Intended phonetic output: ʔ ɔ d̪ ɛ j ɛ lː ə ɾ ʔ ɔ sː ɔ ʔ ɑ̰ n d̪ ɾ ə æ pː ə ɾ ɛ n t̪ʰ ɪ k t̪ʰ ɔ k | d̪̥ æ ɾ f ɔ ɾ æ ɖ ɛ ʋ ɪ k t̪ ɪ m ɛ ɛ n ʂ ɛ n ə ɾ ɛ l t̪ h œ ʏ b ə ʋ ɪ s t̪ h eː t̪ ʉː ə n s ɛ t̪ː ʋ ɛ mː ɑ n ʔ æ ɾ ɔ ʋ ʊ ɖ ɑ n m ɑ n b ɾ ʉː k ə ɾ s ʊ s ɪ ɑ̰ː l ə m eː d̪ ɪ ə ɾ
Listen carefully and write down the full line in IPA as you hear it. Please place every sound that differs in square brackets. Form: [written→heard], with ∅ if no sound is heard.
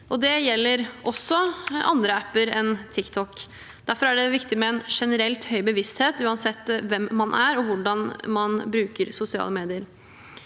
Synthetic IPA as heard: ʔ ɔ d̪ ɛ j ɛ lː ə ɾ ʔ ɔ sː ɔ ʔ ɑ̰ n d̪ ɾ ə æ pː ə ɾ ɛ n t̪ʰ ɪ k t̪ʰ ɔ k | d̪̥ æ ɾ f ɔ ɾ æ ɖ ɛ ʋ ɪ k t̪ ɪ m ɛ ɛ n ʂ ɛ n ə ɾ ɛ l t̪ h œ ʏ b ə ʋ ɪ s t̪ h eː t̪ ʉː [ə→ɑ] n s ɛ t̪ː ʋ ɛ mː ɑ n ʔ æ ɾ ɔ ʋ ʊ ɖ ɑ n m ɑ n b ɾ ʉː k ə ɾ s ʊ s ɪ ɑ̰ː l ə m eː d̪ ɪ ə ɾ

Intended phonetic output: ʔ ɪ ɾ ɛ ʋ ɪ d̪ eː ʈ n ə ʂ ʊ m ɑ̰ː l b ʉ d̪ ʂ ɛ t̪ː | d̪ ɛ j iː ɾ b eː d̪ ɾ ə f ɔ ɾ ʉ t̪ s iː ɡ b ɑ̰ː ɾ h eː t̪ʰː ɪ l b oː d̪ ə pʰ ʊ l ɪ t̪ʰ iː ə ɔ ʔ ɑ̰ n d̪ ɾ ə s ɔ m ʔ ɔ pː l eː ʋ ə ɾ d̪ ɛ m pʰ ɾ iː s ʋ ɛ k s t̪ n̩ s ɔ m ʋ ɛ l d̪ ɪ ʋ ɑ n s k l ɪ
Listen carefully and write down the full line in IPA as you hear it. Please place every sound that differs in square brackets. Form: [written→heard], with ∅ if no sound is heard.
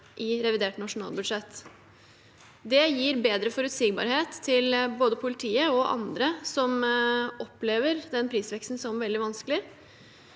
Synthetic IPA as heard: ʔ ɪ ɾ ɛ ʋ ɪ d̪ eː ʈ n [ə→ɑ] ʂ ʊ [m→n] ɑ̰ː l b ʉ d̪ ʂ ɛ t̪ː | d̪ ɛ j iː ɾ b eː d̪ ɾ ə f ɔ ɾ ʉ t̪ s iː ɡ b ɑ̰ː ɾ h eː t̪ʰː ɪ l b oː d̪ ə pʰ ʊ l ɪ t̪ʰ iː ə ɔ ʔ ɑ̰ n d̪ ɾ ə s ɔ m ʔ ɔ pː l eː ʋ ə ɾ d̪ ɛ [m→n] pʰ ɾ iː s ʋ ɛ k s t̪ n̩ s ɔ m ʋ ɛ l d̪ ɪ ʋ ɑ n s k l ɪ

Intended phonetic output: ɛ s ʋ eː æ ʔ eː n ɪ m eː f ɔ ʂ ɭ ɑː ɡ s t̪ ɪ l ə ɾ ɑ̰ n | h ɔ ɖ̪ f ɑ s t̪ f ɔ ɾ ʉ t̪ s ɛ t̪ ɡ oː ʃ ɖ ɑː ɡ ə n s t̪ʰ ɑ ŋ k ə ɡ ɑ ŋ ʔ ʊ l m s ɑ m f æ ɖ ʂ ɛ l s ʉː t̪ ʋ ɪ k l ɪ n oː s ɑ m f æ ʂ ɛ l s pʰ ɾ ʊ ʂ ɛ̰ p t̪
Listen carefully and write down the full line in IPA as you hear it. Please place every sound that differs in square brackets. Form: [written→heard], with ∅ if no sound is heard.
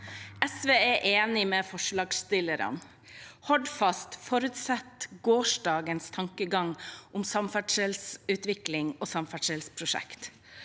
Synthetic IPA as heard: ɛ s ʋ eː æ ʔ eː n ɪ m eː f ɔ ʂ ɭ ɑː ɡ s t̪ ɪ l ə ɾ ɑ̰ n | h ɔ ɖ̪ f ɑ s t̪ f ɔ ɾ ʉ t̪ s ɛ t̪ ɡ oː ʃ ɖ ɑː ɡ ə n s t̪ʰ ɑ ŋ k ə ɡ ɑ ŋ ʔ ʊ [l→∅] m s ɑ m f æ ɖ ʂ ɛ l s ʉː t̪ ʋ ɪ k l ɪ [n→ŋ] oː s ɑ m f æ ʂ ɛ l s pʰ ɾ ʊ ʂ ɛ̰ [p→k] t̪

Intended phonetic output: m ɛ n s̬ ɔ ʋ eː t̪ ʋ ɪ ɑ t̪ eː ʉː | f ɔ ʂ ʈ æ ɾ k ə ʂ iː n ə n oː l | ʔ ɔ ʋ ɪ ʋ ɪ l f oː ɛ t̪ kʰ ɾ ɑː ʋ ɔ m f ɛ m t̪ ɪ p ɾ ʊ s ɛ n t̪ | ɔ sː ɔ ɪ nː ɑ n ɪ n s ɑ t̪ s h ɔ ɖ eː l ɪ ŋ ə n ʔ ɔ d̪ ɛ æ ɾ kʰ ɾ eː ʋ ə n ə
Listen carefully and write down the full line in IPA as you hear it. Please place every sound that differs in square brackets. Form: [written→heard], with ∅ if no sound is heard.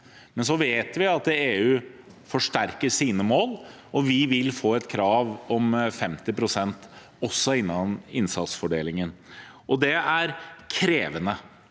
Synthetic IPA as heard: m ɛ n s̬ ɔ ʋ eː t̪ ʋ ɪ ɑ t̪ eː ʉː | f ɔ ʂ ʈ æ ɾ k ə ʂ iː n ə [n→m] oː l | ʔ ɔ ʋ ɪ ʋ ɪ l f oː ɛ t̪ kʰ ɾ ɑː ʋ ɔ m f ɛ m t̪ ɪ p ɾ ʊ s ɛ n t̪ | ɔ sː ɔ ɪ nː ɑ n ɪ n s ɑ t̪ s [h→f] ɔ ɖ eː l ɪ ŋ ə n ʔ ɔ d̪ ɛ æ ɾ kʰ ɾ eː ʋ ə n ə

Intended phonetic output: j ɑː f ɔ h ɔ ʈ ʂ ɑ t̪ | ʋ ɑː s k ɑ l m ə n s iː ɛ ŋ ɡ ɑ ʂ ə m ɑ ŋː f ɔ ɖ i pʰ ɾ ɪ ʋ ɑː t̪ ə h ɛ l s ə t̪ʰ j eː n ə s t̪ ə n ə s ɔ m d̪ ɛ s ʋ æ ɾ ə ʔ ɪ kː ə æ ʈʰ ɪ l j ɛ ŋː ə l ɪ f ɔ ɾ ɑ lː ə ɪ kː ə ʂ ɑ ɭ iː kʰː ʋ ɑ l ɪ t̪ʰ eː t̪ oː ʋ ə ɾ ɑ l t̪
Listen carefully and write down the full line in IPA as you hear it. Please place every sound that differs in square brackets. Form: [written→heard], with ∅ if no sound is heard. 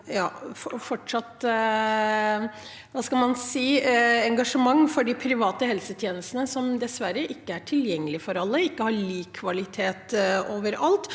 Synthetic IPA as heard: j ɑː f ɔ [h→f] ɔ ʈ ʂ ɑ t̪ | ʋ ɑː s k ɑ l m [ə→ɑ] n s iː ɛ ŋ ɡ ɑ ʂ ə m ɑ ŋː f ɔ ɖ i pʰ ɾ ɪ ʋ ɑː t̪ ə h ɛ l s ə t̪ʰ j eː n ə s t̪ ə n ə s ɔ m d̪ ɛ s ʋ æ ɾ ə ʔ ɪ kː ə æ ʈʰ ɪ l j ɛ ŋː ə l ɪ f ɔ ɾ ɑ lː ə ɪ kː ə [ʂ→h] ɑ ɭ iː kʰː ʋ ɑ l ɪ t̪ʰ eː t̪ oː ʋ ə ɾ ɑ l t̪

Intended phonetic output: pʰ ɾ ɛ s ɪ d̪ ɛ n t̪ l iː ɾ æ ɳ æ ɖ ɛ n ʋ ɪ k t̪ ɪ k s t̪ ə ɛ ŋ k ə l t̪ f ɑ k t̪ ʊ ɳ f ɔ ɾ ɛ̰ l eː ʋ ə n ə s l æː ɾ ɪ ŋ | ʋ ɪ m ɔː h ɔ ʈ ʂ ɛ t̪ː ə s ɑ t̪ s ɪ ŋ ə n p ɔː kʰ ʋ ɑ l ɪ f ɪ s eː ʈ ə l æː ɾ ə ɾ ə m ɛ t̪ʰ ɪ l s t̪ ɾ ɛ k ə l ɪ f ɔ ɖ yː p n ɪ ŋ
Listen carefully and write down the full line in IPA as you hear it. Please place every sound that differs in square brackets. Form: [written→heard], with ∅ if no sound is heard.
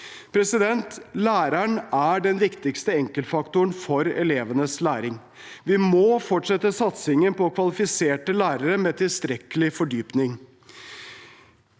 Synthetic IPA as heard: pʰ ɾ ɛ s ɪ d̪ ɛ n t̪ l [iː→æː] ɾ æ ɳ æ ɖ ɛ n ʋ ɪ k t̪ ɪ k s t̪ ə ɛ ŋ k ə l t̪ f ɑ k t̪ ʊ ɳ f ɔ ɾ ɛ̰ l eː ʋ ə n ə s l æː ɾ ɪ ŋ | ʋ ɪ m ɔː [h→f] ɔ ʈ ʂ ɛ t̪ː ə s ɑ t̪ s ɪ ŋ ə n p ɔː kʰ ʋ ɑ l ɪ f ɪ s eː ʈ ə l æː ɾ ə ɾ ə m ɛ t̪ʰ ɪ l s t̪ ɾ ɛ k ə l ɪ f ɔ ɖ yː p n ɪ ŋ

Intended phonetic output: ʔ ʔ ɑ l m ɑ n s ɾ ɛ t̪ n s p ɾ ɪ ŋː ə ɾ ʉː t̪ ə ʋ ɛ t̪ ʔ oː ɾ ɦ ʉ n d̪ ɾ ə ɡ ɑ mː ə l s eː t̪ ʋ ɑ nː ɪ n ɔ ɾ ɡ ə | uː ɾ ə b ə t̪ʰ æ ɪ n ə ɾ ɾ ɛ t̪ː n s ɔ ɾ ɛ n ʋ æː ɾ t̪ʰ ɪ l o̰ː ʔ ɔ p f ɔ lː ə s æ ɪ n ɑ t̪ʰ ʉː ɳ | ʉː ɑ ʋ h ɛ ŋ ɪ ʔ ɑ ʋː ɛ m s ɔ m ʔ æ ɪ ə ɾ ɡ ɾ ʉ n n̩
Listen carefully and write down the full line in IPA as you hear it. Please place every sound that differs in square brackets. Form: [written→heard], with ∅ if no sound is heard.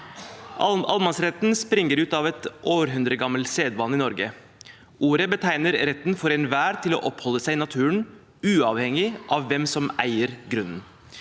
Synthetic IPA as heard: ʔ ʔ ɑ l m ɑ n s ɾ ɛ t̪ n s p ɾ ɪ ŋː ə ɾ ʉː t̪ [ə→ɑ] ʋ ɛ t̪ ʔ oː ɾ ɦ ʉ n d̪ ɾ ə ɡ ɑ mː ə l s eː [t̪→d̪] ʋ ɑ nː ɪ n ɔ ɾ ɡ ə | uː ɾ ə b ə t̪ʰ æ ɪ n ə ɾ ɾ ɛ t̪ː n [s→f] ɔ ɾ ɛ n ʋ æː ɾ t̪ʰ ɪ l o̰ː ʔ ɔ p [f→h] ɔ lː ə s æ ɪ n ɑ t̪ʰ ʉː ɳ | ʉː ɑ ʋ h ɛ ŋ ɪ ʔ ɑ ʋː ɛ m s ɔ m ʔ æ ɪ ə ɾ ɡ ɾ ʉ n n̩

